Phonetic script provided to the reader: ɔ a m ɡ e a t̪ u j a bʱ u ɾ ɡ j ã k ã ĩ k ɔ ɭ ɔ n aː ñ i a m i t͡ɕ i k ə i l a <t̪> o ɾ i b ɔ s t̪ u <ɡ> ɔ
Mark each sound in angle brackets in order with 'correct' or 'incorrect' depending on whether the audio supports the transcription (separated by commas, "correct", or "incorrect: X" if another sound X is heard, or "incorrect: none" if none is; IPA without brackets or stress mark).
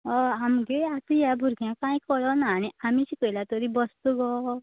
correct, correct